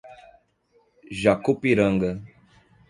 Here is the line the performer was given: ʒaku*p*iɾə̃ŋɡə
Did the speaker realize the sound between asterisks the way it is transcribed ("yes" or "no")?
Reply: yes